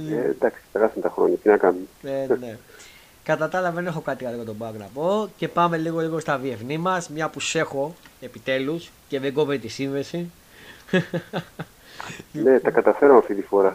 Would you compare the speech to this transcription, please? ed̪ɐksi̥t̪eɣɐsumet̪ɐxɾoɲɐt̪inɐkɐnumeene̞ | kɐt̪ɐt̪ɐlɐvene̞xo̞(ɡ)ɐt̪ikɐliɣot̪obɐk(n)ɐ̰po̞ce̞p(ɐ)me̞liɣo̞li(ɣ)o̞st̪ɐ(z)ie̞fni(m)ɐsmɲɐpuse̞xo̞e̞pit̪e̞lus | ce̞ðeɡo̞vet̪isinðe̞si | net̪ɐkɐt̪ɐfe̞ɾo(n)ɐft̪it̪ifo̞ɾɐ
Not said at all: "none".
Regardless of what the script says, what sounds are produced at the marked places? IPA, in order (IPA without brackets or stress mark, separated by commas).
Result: k, n, ɐ, ɣ, v, m, m